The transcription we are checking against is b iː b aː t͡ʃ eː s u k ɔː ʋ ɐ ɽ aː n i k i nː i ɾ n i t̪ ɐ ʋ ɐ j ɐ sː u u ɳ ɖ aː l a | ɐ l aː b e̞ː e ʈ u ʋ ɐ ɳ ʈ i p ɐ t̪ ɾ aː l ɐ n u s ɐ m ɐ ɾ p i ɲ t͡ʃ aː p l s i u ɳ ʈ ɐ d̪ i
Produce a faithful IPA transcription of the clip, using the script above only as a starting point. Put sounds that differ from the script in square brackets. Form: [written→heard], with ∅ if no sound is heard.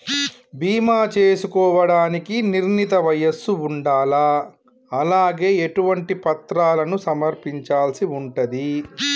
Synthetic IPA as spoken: b iː [b→m] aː t͡ʃ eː s u k ɔː ʋ ɐ ɽ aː n i k i [nː→n] i ɾ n i t̪ ɐ ʋ ɐ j ɐ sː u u ɳ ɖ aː l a | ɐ l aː [b→ɡ] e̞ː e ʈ u ʋ ɐ ɳ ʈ i p ɐ t̪ ɾ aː l ɐ n u s ɐ m ɐ ɾ p i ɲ t͡ʃ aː [p→∅] l s i u ɳ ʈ ɐ d̪ i

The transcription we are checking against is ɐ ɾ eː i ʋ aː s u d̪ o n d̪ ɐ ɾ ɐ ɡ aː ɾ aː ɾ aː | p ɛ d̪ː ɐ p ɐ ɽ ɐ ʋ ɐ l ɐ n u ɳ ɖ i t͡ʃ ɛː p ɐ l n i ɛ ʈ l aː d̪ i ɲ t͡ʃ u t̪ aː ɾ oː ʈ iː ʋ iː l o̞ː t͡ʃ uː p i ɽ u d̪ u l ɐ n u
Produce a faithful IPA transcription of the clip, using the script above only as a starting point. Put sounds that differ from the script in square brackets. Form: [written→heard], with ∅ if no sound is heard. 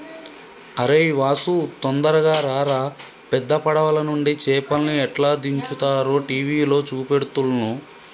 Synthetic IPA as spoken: ɐ ɾ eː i ʋ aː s u [d̪→t̪] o n d̪ ɐ ɾ ɐ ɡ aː ɾ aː ɾ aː | p ɛ d̪ː ɐ p ɐ ɽ ɐ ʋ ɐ l ɐ n u ɳ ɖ i t͡ʃ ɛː p ɐ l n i ɛ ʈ l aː d̪ i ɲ t͡ʃ u t̪ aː ɾ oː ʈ iː ʋ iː l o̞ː t͡ʃ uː p [i→e] ɽ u [d̪→t̪] u l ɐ n u

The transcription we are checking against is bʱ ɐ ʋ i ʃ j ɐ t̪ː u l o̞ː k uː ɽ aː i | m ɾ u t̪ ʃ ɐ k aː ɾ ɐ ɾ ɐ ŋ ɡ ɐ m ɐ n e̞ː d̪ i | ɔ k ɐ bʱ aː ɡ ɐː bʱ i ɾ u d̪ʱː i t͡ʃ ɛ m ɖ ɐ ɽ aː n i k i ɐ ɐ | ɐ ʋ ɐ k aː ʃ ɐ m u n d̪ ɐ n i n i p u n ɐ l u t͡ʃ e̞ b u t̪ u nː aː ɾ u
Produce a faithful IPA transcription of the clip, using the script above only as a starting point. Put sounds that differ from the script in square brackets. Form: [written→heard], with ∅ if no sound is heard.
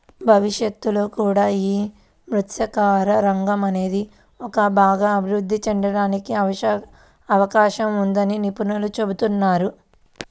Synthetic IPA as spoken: bʱ ɐ ʋ i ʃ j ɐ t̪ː u l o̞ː k uː ɽ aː [i→iː] | m ɾ u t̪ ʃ ɐ k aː ɾ ɐ ɾ ɐ ŋ ɡ ɐ m ɐ n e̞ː d̪ i | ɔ k ɐ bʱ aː ɡ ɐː bʱ i ɾ u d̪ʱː i t͡ʃ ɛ [m→ɳ] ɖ ɐ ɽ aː n i k i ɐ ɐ | ɐ ʋ ɐ k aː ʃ ɐ m u n d̪ ɐ n i n i p u n ɐ l u t͡ʃ e̞ b u t̪ u nː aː ɾ u

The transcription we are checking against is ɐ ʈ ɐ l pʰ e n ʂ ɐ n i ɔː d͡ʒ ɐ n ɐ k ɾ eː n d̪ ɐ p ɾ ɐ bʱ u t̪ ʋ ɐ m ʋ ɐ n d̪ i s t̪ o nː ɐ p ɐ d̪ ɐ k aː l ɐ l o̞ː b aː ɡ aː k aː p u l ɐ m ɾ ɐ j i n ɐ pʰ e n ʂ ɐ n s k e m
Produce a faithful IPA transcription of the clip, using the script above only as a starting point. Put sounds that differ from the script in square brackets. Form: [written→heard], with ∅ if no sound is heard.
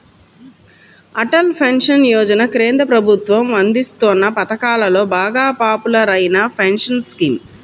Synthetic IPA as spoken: ɐ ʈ ɐ l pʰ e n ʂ ɐ n [i→j] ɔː d͡ʒ ɐ n ɐ k ɾ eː n d̪ ɐ p ɾ ɐ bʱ u t̪ ʋ ɐ m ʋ ɐ n d̪ i s t̪ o nː ɐ p ɐ [d̪→t̪] ɐ k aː l ɐ l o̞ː b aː ɡ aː [k→p] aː p u l ɐ [m→∅] ɾ ɐ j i n ɐ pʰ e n ʂ ɐ n s k [e→i] m

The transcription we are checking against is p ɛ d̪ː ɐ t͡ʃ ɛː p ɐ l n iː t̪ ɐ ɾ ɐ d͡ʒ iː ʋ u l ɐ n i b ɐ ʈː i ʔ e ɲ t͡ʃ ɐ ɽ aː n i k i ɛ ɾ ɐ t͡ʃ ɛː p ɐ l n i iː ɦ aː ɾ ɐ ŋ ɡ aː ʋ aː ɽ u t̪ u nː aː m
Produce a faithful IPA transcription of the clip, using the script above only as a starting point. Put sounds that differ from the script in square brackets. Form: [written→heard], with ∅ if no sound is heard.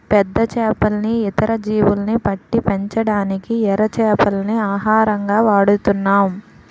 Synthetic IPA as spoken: p ɛ d̪ː ɐ t͡ʃ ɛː p ɐ l n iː t̪ ɐ ɾ ɐ d͡ʒ iː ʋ u l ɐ n i [b→p] ɐ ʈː i [ʔ→p] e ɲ t͡ʃ ɐ ɽ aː n i k i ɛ ɾ ɐ t͡ʃ ɛː p ɐ l n i [iː→aː] ɦ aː ɾ ɐ ŋ ɡ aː ʋ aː ɽ u t̪ u nː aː m

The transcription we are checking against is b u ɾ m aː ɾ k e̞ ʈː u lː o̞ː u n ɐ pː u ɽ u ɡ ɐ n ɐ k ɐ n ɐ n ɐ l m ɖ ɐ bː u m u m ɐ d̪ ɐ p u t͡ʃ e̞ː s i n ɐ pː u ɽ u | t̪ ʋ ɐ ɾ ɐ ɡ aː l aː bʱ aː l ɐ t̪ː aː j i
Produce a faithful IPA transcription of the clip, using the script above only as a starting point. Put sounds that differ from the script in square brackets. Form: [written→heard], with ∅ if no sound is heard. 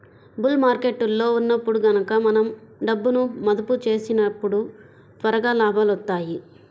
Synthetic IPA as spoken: b u [ɾ→l] m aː ɾ k e̞ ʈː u lː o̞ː u [n→nː] ɐ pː u ɽ u ɡ ɐ n ɐ k ɐ [n→m] ɐ n ɐ [l→∅] m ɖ ɐ bː u [m→n] u m ɐ d̪ ɐ p u t͡ʃ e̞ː s i n ɐ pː u ɽ u | t̪ ʋ ɐ ɾ ɐ ɡ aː l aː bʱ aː l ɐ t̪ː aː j i

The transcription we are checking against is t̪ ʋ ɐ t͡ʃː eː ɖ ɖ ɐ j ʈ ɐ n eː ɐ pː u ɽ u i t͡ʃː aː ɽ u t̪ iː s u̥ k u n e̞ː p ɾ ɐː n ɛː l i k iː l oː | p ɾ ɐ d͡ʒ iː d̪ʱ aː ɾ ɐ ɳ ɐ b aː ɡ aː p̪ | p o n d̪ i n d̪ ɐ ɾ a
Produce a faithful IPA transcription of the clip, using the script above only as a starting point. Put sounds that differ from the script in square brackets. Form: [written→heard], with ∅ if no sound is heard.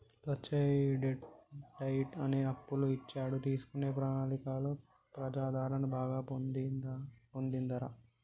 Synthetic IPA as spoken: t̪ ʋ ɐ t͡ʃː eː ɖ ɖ ɐ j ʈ ɐ n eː ɐ pː u [ɽ→l] u i t͡ʃː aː ɽ u t̪ iː s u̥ k u n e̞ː p ɾ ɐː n [ɛː→aː] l i k [iː→aː] l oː | p ɾ ɐ d͡ʒ [iː→aː] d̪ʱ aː ɾ ɐ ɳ ɐ b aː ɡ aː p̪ | p o n d̪ i n d̪ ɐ ɾ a

